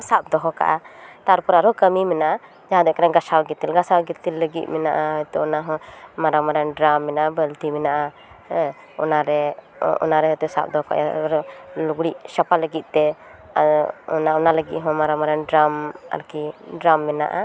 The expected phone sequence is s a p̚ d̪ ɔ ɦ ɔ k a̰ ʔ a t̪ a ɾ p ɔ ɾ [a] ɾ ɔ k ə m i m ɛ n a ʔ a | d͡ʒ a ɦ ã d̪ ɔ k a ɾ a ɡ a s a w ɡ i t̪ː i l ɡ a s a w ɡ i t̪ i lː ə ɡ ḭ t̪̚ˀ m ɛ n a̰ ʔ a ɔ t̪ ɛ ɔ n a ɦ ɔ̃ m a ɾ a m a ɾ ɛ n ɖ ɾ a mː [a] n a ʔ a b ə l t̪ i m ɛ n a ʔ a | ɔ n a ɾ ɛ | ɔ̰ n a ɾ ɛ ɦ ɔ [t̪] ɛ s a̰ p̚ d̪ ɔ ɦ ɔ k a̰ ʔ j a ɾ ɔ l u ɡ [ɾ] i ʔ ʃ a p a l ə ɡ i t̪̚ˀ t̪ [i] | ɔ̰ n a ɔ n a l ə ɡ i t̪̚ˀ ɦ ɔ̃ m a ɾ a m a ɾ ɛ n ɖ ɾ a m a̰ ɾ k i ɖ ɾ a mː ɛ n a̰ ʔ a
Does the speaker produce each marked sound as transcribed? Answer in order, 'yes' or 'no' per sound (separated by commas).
yes, no, yes, no, no